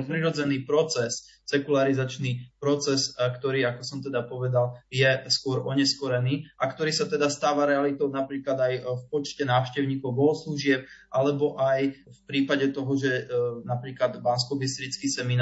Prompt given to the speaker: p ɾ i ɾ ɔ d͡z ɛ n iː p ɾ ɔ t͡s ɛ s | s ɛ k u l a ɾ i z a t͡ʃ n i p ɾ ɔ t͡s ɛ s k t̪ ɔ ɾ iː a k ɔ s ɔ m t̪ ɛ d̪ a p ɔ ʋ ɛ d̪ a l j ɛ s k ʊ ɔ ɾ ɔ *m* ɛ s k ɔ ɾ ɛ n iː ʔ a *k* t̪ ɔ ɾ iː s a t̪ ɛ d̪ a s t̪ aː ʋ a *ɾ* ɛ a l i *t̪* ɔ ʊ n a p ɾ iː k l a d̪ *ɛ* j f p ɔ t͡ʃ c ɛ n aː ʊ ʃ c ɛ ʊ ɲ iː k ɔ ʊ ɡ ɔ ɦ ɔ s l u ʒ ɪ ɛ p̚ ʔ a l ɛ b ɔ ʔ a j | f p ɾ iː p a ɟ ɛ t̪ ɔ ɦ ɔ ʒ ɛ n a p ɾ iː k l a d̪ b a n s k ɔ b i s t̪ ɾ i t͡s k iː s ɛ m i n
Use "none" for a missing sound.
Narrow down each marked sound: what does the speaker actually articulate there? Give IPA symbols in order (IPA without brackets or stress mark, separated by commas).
ɲ, k, ɾ, t̪, a